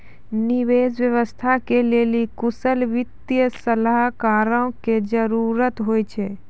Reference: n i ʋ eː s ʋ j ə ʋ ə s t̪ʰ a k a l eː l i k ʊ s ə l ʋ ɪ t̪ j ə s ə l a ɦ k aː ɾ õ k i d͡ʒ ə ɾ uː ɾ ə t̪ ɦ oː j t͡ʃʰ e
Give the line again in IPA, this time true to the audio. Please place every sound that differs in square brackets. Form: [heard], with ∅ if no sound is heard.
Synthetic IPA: n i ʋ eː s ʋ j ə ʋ ə s t̪ʰ a k [e] l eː l i k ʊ s ə l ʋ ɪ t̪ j ə s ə l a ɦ k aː ɾ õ k [e] d͡ʒ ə ɾ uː ɾ ə t̪ ɦ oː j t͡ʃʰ e